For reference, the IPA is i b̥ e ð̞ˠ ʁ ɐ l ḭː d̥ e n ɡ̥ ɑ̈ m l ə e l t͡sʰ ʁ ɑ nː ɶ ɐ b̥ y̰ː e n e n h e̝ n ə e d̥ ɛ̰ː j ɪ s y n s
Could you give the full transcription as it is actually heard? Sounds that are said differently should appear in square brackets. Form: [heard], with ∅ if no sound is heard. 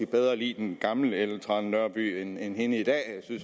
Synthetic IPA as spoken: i b̥ e ð̞ˠ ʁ ɐ l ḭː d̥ e n ɡ̥ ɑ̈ m l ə e l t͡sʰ ʁ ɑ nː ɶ ɐ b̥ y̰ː e n e n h e̝ n ə [i] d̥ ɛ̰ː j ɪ s y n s